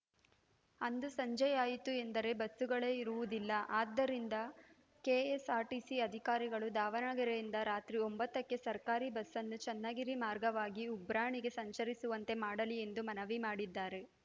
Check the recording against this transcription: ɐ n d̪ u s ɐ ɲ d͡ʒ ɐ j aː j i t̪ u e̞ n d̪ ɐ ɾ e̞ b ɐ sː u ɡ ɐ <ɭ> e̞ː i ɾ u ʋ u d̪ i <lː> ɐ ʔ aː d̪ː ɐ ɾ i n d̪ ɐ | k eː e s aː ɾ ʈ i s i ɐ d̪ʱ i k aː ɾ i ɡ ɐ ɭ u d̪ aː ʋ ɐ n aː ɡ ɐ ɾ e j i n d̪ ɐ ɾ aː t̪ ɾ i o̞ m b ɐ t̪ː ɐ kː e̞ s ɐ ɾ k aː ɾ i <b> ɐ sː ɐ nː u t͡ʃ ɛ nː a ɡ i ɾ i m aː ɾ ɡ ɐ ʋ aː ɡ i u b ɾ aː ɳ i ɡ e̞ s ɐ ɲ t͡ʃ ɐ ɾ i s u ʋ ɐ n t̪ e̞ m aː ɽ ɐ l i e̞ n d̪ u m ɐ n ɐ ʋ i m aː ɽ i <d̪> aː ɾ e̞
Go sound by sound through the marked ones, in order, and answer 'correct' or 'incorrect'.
correct, correct, correct, incorrect: d̪ː

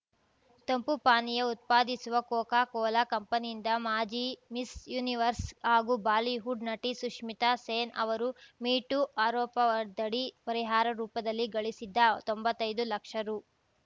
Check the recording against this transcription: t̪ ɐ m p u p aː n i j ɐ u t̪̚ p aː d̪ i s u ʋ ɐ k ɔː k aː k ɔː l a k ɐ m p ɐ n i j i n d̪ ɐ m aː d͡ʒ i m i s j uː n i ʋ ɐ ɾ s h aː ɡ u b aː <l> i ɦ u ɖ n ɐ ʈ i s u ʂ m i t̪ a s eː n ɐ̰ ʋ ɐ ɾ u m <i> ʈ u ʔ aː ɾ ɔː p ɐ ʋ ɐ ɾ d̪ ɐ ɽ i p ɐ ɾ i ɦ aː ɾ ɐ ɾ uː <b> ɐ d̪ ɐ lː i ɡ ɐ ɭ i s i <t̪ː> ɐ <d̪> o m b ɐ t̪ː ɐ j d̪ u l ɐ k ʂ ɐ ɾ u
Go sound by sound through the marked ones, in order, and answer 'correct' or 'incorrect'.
correct, incorrect: iː, incorrect: p, incorrect: d̪ː, incorrect: t̪

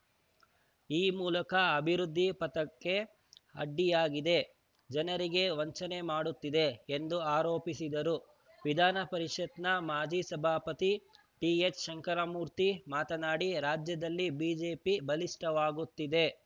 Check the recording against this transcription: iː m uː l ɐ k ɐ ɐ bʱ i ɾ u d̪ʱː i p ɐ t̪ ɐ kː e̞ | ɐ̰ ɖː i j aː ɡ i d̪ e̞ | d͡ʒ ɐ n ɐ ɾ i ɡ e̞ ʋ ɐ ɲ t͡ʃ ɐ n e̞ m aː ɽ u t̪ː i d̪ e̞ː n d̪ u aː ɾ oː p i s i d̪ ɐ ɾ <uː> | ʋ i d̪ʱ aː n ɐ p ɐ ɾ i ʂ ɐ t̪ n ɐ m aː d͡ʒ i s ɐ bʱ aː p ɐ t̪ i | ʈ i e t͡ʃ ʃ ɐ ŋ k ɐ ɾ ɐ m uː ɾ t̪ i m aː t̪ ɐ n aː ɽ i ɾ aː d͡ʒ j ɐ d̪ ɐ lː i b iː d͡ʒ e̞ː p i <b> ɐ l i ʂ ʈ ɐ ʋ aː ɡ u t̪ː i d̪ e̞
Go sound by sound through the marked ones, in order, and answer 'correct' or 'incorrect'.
incorrect: u, correct

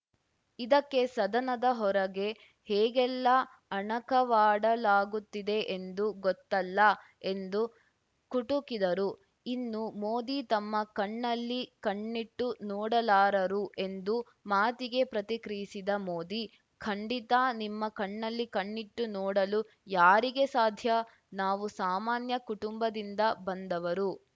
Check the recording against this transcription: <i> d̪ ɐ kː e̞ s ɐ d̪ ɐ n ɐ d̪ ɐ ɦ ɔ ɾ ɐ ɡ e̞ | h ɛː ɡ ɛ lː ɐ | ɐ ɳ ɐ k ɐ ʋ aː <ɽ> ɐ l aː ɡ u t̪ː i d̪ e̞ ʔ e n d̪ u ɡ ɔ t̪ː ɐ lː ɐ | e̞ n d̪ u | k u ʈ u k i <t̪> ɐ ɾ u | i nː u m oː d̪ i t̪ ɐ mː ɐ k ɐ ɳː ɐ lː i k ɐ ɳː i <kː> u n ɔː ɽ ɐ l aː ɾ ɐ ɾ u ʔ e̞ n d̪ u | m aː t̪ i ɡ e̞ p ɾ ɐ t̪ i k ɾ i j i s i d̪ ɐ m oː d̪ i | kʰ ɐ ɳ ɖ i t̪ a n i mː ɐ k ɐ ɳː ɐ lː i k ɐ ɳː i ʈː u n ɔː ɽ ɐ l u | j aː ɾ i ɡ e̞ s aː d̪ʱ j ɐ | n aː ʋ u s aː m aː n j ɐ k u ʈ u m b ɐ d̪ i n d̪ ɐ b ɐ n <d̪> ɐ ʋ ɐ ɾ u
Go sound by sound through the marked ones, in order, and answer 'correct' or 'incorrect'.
correct, correct, incorrect: d̪, incorrect: ʈː, correct

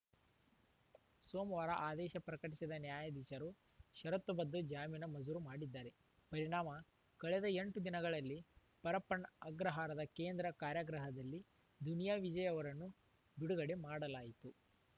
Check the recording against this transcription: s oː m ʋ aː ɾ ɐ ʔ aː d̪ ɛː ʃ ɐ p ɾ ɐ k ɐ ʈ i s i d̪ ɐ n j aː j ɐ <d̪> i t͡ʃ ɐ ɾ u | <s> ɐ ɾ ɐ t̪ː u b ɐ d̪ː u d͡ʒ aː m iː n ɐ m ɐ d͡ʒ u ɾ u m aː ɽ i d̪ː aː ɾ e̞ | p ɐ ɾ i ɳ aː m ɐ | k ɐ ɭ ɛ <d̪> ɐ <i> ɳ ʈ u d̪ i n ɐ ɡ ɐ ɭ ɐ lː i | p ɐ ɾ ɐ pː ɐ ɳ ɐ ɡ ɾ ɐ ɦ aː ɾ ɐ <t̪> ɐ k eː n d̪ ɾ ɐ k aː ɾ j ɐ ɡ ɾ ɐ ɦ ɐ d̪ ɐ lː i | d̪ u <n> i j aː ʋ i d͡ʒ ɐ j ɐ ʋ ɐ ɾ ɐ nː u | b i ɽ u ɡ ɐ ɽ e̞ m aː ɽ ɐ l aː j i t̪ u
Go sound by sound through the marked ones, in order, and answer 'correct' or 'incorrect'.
correct, incorrect: ʃ, correct, incorrect: e, incorrect: d̪, correct

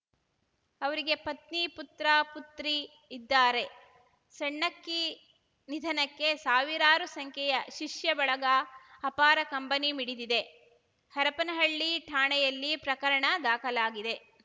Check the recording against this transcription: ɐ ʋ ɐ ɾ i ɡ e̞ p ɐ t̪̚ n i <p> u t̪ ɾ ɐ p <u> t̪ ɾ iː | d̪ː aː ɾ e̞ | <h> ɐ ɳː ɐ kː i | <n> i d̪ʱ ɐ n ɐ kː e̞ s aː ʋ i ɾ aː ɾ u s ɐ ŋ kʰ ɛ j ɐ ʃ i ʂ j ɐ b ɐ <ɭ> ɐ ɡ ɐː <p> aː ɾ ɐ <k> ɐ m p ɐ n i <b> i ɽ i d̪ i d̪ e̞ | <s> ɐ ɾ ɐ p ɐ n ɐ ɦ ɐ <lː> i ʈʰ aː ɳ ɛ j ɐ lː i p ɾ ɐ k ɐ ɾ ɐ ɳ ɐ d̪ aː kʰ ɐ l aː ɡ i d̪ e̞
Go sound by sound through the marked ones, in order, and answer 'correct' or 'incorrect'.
correct, correct, incorrect: s, correct, correct, correct, correct, incorrect: m, incorrect: h, incorrect: ɭː

